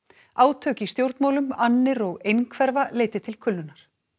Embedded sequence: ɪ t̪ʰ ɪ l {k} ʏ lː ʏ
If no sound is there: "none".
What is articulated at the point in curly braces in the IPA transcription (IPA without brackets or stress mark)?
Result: kʰ